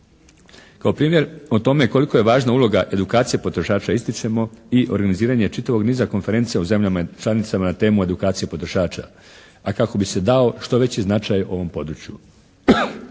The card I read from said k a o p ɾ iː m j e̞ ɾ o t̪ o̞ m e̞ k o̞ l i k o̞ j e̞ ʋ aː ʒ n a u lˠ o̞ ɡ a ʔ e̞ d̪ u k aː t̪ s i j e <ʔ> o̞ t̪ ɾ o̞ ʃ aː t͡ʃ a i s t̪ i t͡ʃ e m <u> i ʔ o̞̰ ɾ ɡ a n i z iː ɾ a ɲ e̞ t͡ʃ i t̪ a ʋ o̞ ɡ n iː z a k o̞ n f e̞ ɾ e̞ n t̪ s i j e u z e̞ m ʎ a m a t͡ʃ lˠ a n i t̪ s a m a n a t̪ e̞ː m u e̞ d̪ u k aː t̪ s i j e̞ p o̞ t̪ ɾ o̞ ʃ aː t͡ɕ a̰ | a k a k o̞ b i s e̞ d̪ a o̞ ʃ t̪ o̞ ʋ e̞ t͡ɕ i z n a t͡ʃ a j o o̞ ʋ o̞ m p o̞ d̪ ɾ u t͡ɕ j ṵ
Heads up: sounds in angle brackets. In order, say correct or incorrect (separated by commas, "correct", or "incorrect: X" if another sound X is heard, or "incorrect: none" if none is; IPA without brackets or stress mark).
incorrect: p, incorrect: o